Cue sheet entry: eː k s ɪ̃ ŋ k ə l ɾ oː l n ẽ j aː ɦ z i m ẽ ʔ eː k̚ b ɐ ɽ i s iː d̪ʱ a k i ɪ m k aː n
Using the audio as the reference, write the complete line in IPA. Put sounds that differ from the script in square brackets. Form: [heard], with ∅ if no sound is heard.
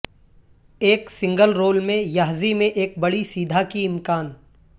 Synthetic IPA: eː k s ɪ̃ ŋ [ɡ] ə l ɾ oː l [m] ẽ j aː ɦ z i m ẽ ʔ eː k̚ b ɐ ɽ i s iː d̪ʱ a k i ɪ m k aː n